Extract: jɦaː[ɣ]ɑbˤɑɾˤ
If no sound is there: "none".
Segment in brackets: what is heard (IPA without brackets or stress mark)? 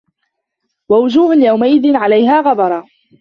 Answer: ɣ